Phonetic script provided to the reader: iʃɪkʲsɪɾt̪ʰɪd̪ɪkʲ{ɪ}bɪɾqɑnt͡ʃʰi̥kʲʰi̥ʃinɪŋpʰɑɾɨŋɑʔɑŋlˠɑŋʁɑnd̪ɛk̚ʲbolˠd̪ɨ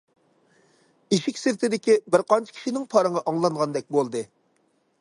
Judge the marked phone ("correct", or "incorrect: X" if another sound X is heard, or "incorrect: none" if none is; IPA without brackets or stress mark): incorrect: i